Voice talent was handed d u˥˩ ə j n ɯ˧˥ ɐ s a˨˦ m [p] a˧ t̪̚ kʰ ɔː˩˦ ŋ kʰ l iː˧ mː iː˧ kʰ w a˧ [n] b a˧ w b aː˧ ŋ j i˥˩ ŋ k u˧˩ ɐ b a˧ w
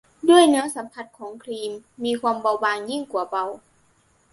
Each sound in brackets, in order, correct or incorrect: incorrect, incorrect

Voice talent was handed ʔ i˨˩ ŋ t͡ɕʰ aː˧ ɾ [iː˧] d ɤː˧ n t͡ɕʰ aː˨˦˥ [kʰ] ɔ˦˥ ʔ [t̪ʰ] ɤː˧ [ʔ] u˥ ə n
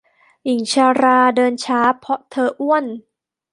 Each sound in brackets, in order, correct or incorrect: incorrect, incorrect, correct, correct

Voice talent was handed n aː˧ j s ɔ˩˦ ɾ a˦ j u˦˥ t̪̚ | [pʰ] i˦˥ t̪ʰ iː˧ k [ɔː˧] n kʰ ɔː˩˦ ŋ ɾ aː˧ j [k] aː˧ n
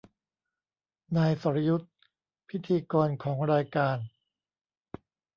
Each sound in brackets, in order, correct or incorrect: correct, correct, correct

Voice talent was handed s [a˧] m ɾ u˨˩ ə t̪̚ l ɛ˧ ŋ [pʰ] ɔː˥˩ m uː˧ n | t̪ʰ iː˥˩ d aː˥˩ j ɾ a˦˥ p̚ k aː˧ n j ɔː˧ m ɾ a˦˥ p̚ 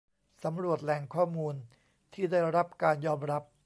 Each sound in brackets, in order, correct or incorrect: incorrect, incorrect

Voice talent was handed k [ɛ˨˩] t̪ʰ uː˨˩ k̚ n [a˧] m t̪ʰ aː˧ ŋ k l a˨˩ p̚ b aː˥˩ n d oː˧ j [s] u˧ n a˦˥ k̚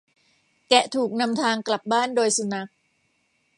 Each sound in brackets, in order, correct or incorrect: correct, correct, correct

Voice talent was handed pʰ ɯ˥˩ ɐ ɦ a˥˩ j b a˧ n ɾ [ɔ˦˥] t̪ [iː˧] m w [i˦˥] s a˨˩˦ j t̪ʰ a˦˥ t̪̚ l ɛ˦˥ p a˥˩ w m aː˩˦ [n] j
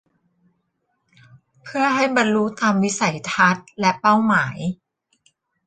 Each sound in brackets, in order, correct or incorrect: incorrect, incorrect, correct, incorrect

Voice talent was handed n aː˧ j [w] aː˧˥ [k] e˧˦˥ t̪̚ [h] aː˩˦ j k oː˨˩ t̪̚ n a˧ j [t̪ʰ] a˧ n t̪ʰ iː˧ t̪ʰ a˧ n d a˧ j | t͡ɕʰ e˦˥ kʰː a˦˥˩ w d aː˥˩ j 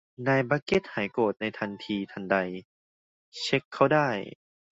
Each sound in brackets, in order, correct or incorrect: incorrect, correct, correct, correct

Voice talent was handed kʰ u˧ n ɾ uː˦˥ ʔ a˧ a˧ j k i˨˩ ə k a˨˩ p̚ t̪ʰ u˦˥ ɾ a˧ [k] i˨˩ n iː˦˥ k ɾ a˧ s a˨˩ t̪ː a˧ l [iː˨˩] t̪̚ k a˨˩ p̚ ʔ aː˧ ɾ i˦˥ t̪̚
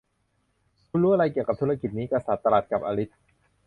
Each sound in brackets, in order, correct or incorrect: correct, incorrect

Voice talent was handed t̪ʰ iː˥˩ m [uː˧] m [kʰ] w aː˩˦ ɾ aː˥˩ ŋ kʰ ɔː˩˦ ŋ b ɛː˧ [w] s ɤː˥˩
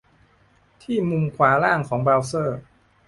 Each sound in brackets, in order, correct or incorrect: incorrect, correct, correct

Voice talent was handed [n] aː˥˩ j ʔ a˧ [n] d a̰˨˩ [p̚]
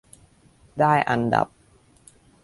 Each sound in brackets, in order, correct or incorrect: incorrect, correct, correct

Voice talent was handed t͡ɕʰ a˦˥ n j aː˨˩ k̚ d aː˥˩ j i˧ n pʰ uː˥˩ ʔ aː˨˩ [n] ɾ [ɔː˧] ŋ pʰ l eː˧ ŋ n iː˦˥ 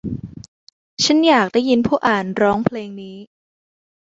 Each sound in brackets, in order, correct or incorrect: correct, incorrect

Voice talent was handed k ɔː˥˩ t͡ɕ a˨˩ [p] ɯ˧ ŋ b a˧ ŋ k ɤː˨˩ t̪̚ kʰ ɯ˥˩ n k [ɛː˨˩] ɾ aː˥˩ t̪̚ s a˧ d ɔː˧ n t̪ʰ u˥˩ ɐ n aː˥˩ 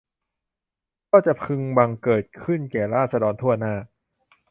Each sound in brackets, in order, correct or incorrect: incorrect, correct

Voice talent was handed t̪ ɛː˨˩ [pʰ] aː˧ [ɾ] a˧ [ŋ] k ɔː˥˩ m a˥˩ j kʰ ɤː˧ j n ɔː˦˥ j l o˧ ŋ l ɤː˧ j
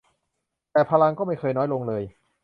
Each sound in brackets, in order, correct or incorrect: correct, incorrect, correct

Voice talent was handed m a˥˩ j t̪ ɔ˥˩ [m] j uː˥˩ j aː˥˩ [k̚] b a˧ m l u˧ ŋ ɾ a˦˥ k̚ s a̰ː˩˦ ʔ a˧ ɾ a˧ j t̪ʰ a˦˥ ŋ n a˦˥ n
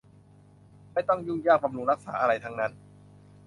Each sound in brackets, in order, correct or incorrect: incorrect, correct

